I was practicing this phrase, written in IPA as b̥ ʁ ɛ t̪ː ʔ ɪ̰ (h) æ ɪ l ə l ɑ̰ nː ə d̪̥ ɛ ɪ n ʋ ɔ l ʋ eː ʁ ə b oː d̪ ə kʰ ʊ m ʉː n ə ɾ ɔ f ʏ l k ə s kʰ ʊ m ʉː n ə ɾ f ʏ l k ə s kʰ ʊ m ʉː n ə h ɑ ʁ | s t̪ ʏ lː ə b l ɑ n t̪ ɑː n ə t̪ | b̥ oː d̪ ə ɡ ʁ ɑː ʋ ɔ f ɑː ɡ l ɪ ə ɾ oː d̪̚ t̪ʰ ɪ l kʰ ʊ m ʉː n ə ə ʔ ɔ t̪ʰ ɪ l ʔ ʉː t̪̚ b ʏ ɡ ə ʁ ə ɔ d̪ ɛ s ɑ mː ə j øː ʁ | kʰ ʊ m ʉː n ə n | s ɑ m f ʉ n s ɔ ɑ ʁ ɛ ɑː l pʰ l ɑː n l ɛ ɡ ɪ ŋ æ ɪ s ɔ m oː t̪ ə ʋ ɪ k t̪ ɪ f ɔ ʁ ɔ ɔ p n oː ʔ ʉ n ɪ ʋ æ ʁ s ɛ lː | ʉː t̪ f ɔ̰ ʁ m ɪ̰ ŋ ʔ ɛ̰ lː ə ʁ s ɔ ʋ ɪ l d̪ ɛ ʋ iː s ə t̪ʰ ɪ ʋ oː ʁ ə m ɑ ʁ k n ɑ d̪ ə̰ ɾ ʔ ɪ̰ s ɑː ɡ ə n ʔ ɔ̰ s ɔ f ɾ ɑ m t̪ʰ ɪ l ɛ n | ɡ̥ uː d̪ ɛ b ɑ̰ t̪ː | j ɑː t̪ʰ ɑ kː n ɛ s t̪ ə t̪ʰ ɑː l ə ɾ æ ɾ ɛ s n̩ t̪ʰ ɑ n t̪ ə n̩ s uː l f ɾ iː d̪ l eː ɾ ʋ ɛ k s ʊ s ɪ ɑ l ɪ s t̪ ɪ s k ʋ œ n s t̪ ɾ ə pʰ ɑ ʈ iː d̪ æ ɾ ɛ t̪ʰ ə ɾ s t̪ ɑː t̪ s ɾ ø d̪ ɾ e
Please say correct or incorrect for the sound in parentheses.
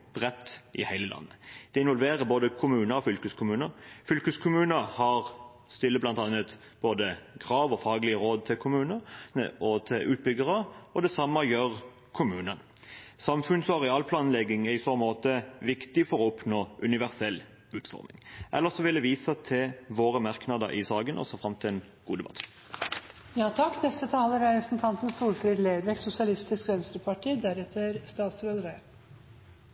correct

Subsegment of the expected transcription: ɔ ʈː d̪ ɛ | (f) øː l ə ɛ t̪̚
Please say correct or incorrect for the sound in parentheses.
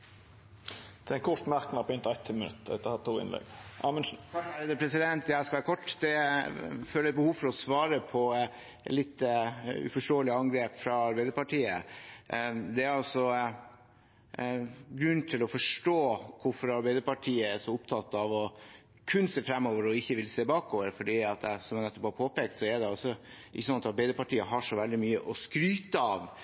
correct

